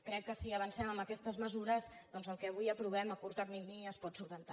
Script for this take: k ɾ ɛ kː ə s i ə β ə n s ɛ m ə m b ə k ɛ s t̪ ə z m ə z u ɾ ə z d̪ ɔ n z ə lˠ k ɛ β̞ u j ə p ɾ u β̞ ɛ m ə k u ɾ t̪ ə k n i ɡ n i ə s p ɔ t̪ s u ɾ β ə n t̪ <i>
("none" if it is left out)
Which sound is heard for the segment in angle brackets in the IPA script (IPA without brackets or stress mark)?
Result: a